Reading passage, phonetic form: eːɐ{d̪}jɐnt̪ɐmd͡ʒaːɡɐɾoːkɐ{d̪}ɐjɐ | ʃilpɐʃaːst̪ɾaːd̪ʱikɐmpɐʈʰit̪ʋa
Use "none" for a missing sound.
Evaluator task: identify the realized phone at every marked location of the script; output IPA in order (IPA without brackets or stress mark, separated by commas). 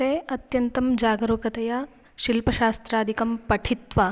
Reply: t̪, t̪